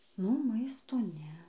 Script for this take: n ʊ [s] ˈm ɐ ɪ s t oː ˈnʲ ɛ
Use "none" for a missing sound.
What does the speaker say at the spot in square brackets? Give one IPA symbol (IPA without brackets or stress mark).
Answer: none